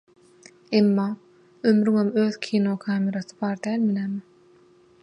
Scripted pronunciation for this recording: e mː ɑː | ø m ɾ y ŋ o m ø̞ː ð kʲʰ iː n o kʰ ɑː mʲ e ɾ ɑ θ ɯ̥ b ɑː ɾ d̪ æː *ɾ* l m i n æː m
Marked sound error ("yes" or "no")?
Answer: yes